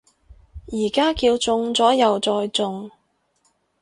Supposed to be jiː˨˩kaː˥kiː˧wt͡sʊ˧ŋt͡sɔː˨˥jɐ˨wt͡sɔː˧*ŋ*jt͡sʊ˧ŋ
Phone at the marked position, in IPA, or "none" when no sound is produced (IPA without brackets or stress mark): none